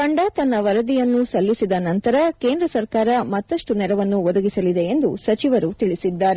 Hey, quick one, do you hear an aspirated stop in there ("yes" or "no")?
no